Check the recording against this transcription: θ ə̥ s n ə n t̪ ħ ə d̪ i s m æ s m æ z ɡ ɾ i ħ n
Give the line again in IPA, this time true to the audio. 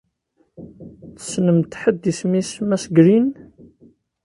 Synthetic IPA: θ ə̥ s n ə m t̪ ħ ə d̪ i s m i s m æ s ɡ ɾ i n